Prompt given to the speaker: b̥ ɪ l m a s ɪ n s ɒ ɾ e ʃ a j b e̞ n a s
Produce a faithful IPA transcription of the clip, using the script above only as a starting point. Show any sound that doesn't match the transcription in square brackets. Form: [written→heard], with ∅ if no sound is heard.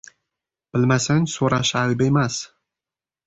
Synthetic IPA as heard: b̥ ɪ l m a s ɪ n s [ɒ→o] ɾ [e→a] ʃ a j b e̞ [n→m] a s

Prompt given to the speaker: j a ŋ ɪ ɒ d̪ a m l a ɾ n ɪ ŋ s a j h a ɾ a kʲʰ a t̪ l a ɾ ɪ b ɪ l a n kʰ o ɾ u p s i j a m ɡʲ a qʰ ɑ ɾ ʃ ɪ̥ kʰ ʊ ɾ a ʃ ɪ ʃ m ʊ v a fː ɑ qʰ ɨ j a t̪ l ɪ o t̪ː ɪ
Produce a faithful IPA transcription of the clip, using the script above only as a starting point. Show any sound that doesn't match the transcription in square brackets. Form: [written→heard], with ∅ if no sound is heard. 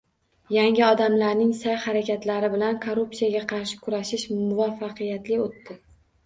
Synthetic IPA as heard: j a ŋ ɪ ɒ d̪ a m l a ɾ n ɪ ŋ s a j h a ɾ a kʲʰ a t̪ l a ɾ ɪ b ɪ l a n kʰ o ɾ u p s i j a [m→∅] ɡʲ a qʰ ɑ ɾ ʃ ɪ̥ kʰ ʊ ɾ a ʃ ɪ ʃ m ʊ v a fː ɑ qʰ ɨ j a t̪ l ɪ o t̪ː ɪ

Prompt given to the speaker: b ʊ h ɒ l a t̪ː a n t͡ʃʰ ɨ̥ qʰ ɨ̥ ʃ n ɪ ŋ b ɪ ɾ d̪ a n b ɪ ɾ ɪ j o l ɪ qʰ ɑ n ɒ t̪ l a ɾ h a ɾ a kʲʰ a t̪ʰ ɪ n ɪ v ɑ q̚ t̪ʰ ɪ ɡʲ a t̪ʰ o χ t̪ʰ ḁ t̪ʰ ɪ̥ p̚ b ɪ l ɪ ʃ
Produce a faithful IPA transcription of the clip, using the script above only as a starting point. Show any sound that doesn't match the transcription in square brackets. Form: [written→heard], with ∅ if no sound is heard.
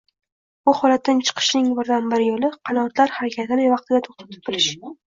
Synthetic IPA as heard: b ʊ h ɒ l a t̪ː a n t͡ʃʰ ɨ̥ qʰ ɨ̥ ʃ n ɪ ŋ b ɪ ɾ d̪ a n b ɪ ɾ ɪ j o l ɪ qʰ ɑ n ɒ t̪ l a ɾ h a ɾ a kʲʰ a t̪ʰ ɪ n ɪ v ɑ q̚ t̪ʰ ɪ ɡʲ a t̪ʰ o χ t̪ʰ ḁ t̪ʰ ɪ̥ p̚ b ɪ l ɪ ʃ

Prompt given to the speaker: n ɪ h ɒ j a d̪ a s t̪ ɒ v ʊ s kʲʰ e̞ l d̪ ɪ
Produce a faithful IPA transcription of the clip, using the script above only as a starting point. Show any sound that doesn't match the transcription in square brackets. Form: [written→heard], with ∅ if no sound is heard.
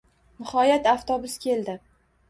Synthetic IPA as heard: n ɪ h ɒ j a [d̪→t̪] a [s→f] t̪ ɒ [v→b] ʊ s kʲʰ e̞ l d̪ ɪ

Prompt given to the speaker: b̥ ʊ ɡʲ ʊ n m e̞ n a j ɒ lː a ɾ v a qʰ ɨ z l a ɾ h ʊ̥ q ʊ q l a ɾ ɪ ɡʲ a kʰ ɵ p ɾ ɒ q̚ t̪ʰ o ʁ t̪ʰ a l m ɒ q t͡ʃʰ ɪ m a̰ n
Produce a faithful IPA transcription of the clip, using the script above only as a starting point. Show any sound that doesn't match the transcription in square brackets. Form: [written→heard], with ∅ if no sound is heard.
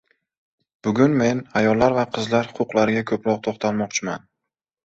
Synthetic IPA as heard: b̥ ʊ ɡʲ ʊ n m e̞ n a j ɒ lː a ɾ v a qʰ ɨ z l a ɾ h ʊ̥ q ʊ q l a ɾ ɪ ɡʲ a kʰ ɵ p ɾ ɒ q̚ t̪ʰ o [ʁ→χ] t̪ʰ a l m ɒ q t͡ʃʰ ɪ m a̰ n

